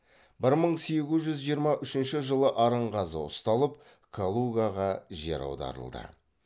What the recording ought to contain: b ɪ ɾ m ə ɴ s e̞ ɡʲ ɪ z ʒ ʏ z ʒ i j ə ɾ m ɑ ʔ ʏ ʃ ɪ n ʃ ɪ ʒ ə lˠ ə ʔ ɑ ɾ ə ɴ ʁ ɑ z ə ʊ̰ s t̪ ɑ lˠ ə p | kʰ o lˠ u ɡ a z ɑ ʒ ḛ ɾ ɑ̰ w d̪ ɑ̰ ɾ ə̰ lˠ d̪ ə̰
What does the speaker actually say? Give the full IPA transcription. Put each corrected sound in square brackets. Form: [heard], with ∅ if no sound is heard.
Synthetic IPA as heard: b ɪ ɾ m ə ɴ s e̞ ɡʲ ɪ z ʒ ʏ z ʒ i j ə ɾ m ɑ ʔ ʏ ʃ ɪ n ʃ ɪ ʒ ə lˠ ə ʔ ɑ ɾ ə ɴ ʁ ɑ z ə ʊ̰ s t̪ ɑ lˠ ə p | kʰ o lˠ u ɡ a [ʁ] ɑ ʒ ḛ ɾ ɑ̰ w d̪ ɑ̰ ɾ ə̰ lˠ d̪ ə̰

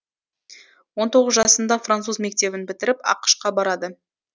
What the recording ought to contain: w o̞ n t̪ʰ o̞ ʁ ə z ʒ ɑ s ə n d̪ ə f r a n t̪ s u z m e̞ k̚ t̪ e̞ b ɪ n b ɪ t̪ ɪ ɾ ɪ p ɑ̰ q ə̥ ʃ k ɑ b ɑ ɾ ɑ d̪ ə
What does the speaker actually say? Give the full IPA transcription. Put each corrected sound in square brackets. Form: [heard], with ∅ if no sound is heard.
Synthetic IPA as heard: w o̞ n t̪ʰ o̞ ʁ ə z ʒ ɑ s ə n d̪ [ɑ] f r a n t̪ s u z m e̞ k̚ t̪ e̞ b ɪ n b ɪ t̪ ɪ ɾ ɪ p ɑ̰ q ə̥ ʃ [q] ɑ b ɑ ɾ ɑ d̪ ə

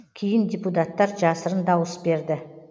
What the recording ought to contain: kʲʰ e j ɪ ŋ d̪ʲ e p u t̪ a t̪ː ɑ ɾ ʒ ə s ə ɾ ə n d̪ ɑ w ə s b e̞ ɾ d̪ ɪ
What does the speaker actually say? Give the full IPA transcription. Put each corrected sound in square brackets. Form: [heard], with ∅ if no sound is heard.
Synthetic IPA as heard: kʲʰ e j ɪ [n] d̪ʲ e p u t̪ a t̪ː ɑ ɾ ʒ [ɑ] s ə ɾ ə n d̪ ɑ w ə s b e̞ ɾ d̪ ɪ

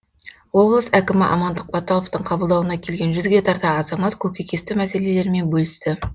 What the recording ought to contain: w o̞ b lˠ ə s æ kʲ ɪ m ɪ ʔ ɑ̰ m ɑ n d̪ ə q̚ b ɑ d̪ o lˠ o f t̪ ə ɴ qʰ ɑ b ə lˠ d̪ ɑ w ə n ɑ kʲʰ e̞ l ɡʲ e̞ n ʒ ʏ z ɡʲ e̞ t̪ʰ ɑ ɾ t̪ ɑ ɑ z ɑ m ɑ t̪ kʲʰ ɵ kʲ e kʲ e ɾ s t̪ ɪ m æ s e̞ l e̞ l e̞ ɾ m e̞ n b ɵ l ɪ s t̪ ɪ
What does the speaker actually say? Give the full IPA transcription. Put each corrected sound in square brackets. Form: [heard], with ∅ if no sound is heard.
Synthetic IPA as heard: w o̞ b lˠ ə s æ kʲ ɪ m ɪ ʔ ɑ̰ m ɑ n d̪ ə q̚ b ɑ [t̪] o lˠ o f t̪ ə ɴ qʰ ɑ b ə lˠ d̪ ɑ w ə n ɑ kʲʰ e̞ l ɡʲ e̞ n ʒ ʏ z ɡʲ e̞ t̪ʰ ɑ ɾ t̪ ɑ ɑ z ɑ m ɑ t̪ kʲʰ ɵ kʲ e kʲ e [∅] s t̪ ɪ m æ s e̞ l e̞ l e̞ ɾ m e̞ n b ɵ l ɪ s t̪ ɪ

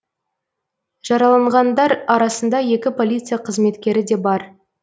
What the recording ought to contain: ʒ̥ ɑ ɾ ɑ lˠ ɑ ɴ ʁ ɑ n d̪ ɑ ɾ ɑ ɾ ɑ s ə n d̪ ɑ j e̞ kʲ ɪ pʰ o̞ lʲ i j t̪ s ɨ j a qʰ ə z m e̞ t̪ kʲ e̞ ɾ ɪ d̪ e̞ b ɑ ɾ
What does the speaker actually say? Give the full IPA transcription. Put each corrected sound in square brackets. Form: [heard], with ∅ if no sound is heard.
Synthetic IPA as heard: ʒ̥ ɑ ɾ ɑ lˠ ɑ ɴ ʁ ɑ n d̪ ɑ ɾ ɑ ɾ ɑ s ə n d̪ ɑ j e̞ kʲ ɪ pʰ o̞ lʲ i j t̪ s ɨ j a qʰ ə z m e̞ t̪ kʲ e̞ ɾ ɪ d̪ e̞ b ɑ ɾ

